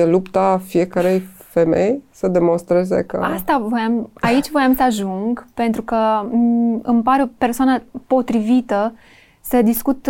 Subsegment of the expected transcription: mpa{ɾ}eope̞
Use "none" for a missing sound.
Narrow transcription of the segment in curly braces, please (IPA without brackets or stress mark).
ɾ